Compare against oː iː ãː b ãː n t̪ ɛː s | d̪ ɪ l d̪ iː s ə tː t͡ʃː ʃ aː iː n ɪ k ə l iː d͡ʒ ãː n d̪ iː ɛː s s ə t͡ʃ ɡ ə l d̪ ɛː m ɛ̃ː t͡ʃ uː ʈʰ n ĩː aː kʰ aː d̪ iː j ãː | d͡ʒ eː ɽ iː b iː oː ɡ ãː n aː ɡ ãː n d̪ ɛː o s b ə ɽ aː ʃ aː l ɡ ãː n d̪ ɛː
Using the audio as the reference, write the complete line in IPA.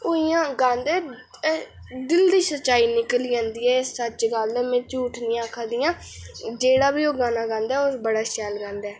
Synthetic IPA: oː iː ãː ɡ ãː n d̪ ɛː | d̪ ɪ l d̪ iː s ə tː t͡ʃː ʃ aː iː n ɪ k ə l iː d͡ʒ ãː n d̪ iː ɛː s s ə t͡ʃ ɡ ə l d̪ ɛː m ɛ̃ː t͡ʃ uː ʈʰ n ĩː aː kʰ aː d̪ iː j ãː | d͡ʒ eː ɽ aː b iː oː ɡ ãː n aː ɡ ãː n d̪ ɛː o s b ə ɽ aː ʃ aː l ɡ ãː n d̪ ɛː